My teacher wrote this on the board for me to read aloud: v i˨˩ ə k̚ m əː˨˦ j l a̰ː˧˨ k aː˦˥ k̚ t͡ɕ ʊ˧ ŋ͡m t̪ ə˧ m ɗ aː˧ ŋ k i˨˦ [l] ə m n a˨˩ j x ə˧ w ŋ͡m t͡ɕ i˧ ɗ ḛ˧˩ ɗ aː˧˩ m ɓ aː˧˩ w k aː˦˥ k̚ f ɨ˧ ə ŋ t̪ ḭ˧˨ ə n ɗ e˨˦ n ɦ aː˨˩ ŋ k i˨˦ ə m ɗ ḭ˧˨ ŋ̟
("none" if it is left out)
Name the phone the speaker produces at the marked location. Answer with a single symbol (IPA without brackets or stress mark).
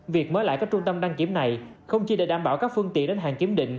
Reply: none